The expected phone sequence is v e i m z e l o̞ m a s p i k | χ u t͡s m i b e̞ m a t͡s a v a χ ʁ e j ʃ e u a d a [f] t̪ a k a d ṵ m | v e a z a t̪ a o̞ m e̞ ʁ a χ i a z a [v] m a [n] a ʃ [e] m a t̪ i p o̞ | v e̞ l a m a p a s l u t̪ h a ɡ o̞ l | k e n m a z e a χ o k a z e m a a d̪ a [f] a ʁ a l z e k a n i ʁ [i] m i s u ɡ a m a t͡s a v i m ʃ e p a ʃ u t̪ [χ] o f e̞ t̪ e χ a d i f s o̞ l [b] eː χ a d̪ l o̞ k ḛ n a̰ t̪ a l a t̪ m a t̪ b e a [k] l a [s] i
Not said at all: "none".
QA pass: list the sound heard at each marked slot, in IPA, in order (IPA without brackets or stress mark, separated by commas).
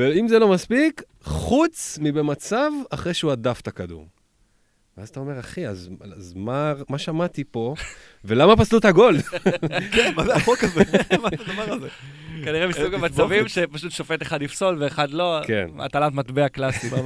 f, z, m, a, v, e, ʃ, v, k, s